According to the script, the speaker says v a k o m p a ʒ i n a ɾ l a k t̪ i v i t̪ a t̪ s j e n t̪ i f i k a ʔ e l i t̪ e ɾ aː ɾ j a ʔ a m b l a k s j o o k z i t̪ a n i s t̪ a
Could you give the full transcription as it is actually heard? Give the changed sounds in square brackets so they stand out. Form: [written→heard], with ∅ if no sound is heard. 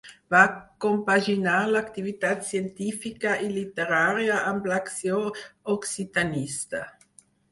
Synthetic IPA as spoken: v a k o m p a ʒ i n a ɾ l a k t̪ i v i t̪ a t̪ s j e n t̪ i f i k a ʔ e l i t̪ e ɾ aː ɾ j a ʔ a m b l a k s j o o k [z→s] i t̪ a n i s t̪ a